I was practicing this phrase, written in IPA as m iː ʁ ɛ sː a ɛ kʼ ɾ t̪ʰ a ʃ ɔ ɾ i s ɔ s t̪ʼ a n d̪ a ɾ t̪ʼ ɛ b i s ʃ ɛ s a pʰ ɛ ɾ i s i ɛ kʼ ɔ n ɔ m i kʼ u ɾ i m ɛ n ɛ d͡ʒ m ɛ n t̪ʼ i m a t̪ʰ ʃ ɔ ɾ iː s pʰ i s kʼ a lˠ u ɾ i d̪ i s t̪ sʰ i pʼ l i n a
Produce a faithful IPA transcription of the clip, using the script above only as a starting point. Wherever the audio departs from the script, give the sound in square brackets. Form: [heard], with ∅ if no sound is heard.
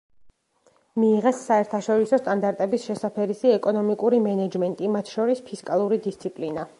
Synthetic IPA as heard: m iː ʁ ɛ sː a ɛ [∅] ɾ t̪ʰ a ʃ ɔ ɾ i s ɔ s t̪ʼ a n d̪ a ɾ t̪ʼ ɛ b i s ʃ ɛ s a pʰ ɛ ɾ i s i ɛ kʼ ɔ n ɔ m i kʼ u ɾ i m ɛ n ɛ d͡ʒ m ɛ n t̪ʼ i m a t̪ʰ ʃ ɔ ɾ [i] s pʰ i s kʼ a lˠ u ɾ i d̪ i s t̪ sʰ i pʼ l i n a